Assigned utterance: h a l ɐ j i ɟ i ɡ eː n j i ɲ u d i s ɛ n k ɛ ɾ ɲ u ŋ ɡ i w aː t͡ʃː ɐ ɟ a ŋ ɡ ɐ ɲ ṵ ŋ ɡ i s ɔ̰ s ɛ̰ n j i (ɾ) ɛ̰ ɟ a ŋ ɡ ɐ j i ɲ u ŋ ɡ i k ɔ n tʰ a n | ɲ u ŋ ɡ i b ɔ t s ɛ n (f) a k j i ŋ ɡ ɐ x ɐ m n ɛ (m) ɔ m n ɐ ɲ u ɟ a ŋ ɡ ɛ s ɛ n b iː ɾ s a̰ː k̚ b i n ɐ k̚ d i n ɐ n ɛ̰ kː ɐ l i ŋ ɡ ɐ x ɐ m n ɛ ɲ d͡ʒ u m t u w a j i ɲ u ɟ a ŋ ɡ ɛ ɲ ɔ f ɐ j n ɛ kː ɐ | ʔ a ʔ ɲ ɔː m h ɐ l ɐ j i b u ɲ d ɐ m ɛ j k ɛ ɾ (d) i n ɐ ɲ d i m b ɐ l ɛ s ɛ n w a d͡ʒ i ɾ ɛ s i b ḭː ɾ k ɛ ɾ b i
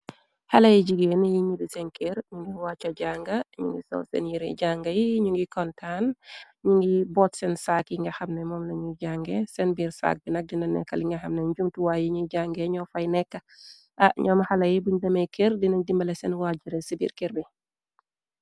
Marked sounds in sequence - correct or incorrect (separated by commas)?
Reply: correct, incorrect, correct, correct